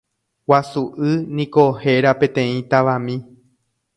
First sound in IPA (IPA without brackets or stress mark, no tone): w